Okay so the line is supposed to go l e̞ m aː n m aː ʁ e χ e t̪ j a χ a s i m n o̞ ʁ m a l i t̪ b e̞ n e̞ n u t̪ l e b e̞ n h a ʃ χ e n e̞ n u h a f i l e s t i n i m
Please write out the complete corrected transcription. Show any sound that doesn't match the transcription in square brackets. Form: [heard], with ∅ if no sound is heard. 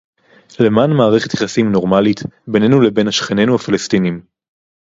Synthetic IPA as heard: l e̞ m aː n m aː ʁ e χ e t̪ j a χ a s i m n o̞ ʁ m a l i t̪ b e̞ n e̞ n u [∅] l e b e̞ n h a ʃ χ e n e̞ n u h a f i l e s t i n i m

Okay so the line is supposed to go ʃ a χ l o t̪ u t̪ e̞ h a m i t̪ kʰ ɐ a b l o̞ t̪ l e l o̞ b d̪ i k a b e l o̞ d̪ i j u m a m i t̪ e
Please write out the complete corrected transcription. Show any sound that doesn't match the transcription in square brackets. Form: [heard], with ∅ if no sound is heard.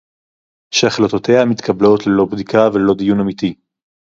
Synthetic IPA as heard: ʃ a χ l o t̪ [o] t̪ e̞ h a m i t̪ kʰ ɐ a b l o̞ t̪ l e l o̞ b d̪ i k a [v] e l o̞ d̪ i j u [n] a m i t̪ [i]

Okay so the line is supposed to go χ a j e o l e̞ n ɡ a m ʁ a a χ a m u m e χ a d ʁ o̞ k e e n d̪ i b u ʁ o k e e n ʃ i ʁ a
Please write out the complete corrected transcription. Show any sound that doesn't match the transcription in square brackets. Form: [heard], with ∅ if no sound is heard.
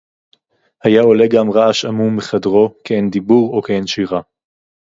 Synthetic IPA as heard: [h] a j [a] o l e̞ [∅] ɡ a m ʁ a a [ʃ] a m u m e χ a d ʁ o̞ k e e n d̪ i b u ʁ o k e e n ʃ i ʁ a

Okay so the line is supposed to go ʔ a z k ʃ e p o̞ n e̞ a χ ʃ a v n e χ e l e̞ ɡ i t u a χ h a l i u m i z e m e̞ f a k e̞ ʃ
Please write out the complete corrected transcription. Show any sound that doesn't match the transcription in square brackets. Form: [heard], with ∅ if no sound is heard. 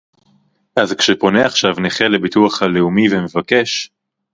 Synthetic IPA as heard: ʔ a z k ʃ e p o̞ n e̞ a χ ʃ a v n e χ e l e̞ [b] i t u a χ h a l [e] u m i [v] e m e̞ [v] a k e̞ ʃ

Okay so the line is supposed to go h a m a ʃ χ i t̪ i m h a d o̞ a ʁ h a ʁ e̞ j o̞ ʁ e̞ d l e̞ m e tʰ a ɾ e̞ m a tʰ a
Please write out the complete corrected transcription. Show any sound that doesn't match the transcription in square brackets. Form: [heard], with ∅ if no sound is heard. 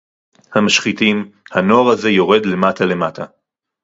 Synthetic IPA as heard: h a m a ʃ χ i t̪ i m h a [n] o̞ a ʁ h a [z] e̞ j o̞ ʁ e̞ d l e̞ m [a] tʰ a [l] e̞ m a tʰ a

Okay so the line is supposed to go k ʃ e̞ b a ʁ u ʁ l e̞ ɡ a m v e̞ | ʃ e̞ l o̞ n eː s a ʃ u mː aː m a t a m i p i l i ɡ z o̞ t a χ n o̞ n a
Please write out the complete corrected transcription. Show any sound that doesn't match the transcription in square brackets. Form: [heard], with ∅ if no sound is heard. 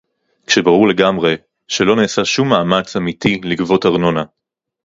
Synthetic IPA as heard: k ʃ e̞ b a ʁ u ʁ l e̞ ɡ a m [ʁ] e̞ | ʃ e̞ l o̞ n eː s a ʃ u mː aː m a [t͡s] a m i [t] i l i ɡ [v] o̞ t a [ʁ] n o̞ n a

